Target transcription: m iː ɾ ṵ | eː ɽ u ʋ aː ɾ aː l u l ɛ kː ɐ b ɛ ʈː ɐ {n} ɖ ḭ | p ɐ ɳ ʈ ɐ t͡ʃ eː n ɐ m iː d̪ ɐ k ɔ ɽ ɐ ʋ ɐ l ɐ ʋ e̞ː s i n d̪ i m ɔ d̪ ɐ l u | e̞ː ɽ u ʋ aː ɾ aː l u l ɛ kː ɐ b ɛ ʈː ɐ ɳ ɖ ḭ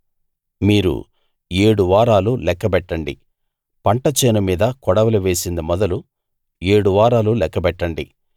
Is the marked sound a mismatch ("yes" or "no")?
yes